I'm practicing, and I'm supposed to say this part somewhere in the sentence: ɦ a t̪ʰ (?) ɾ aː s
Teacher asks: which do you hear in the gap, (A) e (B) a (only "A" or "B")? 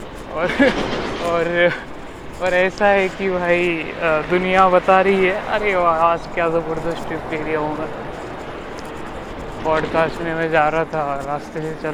B